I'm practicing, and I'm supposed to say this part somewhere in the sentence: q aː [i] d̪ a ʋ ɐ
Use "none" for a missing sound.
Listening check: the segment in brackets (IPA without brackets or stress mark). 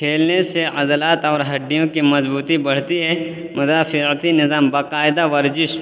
ɪ